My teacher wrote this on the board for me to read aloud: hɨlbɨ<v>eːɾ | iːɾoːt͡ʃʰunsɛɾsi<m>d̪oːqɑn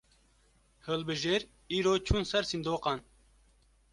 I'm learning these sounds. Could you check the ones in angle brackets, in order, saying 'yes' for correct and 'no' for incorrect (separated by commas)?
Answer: no, no